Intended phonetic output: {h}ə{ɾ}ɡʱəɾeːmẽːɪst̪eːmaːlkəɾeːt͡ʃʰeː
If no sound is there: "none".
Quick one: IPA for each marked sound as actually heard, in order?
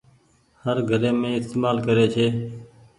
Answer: h, ɾ

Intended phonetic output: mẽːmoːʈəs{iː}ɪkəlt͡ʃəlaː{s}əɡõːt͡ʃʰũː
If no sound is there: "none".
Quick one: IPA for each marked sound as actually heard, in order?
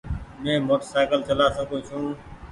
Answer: aː, s

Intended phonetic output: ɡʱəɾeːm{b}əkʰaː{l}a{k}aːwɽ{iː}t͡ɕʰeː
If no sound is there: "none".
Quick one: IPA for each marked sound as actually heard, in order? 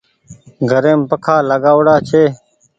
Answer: p, l, ɡ, aː

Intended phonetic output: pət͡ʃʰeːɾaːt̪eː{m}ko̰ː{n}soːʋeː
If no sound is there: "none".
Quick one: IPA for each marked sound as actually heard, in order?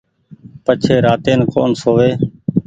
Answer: n, n

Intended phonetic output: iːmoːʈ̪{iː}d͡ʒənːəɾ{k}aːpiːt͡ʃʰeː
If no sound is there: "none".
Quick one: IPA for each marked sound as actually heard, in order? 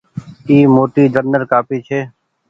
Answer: iː, k

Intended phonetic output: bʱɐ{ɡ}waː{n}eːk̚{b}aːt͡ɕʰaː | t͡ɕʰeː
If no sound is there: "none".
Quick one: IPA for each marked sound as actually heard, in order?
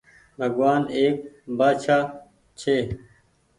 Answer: ɡ, n, b

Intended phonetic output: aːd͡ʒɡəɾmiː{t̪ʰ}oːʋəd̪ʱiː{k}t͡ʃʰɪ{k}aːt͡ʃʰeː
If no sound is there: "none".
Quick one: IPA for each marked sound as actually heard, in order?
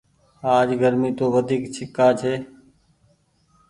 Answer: t̪, k, k

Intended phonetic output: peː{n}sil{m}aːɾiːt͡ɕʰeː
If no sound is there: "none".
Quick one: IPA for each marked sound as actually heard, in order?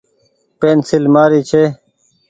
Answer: n, m

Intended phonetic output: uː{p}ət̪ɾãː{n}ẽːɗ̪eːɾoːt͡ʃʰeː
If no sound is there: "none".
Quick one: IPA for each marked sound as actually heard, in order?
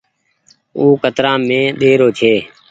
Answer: k, m

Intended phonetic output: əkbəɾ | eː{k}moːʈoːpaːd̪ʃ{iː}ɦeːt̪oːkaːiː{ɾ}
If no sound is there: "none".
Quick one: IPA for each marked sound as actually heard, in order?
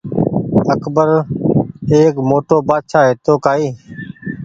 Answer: k, aː, none

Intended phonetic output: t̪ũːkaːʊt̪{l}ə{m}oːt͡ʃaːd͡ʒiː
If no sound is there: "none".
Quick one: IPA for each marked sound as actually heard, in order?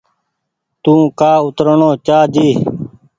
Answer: ɾ, ɳ

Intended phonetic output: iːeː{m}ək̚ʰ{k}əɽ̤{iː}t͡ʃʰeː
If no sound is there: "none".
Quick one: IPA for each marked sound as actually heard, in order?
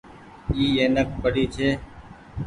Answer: n, p, iː

